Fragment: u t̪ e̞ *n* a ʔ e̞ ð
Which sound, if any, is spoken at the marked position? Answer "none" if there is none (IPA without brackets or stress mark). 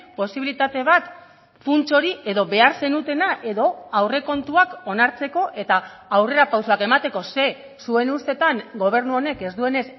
n